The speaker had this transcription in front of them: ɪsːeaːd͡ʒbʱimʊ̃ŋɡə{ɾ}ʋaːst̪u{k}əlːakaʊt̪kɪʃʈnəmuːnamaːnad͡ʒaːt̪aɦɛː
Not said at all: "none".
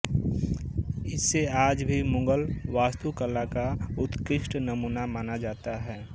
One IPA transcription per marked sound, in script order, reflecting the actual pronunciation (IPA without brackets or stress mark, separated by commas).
l, k